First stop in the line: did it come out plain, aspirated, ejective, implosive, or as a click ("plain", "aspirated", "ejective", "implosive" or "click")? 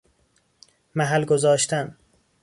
plain